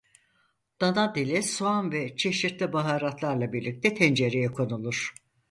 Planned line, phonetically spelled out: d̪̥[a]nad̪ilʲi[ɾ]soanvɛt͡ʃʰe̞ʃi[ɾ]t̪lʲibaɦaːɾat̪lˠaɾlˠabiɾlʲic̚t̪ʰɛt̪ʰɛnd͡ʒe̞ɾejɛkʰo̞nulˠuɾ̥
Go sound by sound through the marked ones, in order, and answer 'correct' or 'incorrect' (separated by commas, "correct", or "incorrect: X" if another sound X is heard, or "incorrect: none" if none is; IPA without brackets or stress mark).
correct, incorrect: none, correct